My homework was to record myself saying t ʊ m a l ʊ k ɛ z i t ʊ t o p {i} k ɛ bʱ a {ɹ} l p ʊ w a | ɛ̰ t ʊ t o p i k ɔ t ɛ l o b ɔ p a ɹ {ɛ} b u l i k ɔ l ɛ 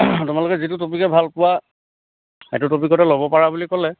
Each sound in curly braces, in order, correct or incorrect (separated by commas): correct, incorrect, incorrect